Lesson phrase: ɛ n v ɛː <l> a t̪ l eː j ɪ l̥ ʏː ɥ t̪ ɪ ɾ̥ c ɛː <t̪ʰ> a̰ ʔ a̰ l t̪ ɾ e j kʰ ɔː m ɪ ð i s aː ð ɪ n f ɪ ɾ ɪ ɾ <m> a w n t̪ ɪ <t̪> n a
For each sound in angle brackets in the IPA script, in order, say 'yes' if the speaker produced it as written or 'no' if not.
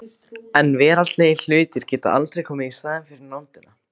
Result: no, no, no, no

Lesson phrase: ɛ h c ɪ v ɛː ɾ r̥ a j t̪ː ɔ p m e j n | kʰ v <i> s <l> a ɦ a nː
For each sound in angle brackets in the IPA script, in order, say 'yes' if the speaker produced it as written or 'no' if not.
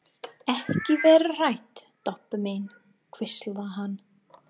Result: no, yes

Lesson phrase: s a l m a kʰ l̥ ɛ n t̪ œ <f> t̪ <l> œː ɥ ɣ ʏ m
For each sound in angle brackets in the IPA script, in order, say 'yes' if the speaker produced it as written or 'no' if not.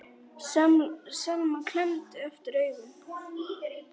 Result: yes, no

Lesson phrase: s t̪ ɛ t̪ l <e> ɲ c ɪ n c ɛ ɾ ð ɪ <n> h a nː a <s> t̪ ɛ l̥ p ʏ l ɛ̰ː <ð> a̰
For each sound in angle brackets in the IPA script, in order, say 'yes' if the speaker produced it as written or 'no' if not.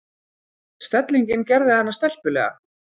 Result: no, no, yes, no

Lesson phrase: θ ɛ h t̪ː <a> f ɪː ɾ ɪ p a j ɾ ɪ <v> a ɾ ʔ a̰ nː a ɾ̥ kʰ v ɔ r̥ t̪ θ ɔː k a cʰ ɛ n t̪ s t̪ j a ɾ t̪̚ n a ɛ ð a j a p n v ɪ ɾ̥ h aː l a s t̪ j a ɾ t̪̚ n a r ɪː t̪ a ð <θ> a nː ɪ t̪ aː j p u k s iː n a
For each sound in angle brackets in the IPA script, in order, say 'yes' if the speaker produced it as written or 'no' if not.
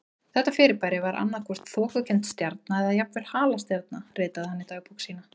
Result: yes, yes, no

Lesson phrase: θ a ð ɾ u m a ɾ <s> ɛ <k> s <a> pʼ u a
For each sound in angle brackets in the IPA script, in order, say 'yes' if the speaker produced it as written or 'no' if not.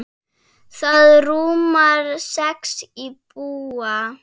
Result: yes, yes, no

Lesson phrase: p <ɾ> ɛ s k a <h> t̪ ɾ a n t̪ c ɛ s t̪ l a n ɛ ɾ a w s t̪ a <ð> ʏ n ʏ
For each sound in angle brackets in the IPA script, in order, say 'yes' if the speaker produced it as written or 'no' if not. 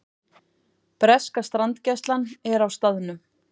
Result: yes, no, yes

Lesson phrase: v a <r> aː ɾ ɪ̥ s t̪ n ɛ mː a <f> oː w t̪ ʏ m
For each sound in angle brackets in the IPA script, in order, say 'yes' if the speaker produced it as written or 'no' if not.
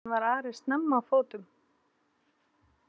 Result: no, yes

